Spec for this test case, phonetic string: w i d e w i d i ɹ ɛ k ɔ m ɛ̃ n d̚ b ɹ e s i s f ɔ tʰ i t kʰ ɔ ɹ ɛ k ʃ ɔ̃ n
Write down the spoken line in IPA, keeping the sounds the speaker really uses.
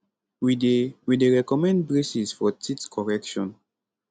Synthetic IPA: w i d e w i d e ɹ ɛ k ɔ m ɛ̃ n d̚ b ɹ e s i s f ɔ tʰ i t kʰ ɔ ɹ ɛ k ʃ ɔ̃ n